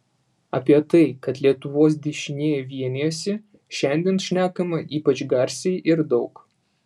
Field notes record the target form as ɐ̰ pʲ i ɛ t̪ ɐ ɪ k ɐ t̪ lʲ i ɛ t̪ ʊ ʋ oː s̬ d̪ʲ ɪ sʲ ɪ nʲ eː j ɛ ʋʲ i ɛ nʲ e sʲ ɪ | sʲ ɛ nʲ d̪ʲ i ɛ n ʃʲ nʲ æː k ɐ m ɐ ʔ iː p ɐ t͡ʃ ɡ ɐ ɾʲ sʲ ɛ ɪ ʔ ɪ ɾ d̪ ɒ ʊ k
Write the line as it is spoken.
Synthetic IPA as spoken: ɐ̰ pʲ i ɛ t̪ ɐ ɪ k ɐ t̪ lʲ i ɛ t̪ ʊ ʋ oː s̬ d̪ʲ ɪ ʃʲ ɪ nʲ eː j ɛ ʋʲ i ɛ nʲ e sʲ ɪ | ʃʲ ɛ nʲ d̪ʲ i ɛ n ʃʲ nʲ æː k ɐ m ɐ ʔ iː p ɐ t͡ʃ ɡ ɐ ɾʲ sʲ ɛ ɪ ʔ ɪ ɾ d̪ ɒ ʊ k